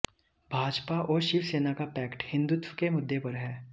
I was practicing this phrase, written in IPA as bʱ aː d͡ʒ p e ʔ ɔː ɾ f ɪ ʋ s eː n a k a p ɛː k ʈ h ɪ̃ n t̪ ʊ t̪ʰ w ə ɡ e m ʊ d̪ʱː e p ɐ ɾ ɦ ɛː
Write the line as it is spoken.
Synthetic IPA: bʱ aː d͡ʒ p a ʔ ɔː ɾ ʃ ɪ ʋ s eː n a k a p ɛː k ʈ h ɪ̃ n d̪ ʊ t̪ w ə k e m ʊ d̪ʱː e p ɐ ɾ ɦ ɛː